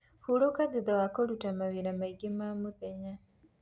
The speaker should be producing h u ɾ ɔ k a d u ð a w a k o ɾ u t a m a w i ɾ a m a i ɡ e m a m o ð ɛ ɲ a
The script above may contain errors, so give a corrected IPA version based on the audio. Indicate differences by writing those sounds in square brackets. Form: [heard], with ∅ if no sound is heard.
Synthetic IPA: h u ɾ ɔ k a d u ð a w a k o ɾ u t a m a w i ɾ a m a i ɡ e m a m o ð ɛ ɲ a